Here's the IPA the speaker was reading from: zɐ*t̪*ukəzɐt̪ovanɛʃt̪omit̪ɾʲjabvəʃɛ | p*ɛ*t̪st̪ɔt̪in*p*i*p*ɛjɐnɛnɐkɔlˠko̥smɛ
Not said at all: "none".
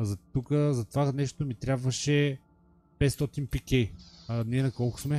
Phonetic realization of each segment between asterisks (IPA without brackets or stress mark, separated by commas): t̪, ɛ, p, k